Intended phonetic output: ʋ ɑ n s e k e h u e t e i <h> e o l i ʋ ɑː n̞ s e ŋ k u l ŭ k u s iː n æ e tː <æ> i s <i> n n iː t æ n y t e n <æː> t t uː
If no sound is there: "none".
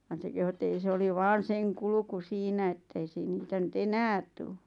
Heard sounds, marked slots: s, e, iː, æː

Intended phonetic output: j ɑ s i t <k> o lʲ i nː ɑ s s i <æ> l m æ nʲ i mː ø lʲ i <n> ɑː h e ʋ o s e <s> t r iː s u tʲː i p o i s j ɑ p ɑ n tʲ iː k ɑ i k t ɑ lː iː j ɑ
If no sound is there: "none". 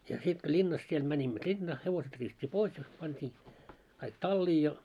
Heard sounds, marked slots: k, e, nː, none

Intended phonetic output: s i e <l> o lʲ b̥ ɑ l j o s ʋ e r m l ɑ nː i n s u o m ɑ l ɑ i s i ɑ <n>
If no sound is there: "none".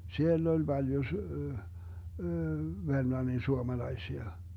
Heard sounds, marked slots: lː, none

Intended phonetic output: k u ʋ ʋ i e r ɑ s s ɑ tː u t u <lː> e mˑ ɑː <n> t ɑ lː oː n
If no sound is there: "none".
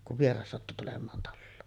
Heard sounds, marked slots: l, n

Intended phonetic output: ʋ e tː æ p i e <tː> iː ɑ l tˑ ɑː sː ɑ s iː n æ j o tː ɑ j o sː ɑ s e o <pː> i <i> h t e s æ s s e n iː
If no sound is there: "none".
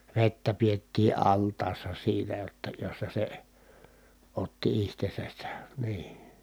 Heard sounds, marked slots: tː, tː, i

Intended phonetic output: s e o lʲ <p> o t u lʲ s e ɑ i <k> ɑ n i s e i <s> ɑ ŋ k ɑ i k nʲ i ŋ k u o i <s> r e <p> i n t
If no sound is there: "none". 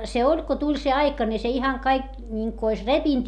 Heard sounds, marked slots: k, k, h, s, p

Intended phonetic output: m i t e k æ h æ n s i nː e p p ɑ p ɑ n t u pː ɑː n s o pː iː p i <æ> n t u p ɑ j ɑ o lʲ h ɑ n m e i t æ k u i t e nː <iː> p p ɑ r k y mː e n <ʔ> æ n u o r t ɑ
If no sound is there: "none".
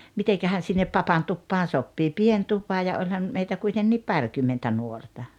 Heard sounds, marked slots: e, iː, t

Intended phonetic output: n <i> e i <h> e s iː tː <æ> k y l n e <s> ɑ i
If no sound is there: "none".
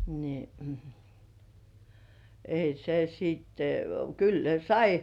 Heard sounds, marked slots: i, s, e, s

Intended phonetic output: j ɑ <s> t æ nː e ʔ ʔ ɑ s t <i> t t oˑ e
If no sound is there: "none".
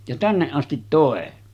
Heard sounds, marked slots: none, i

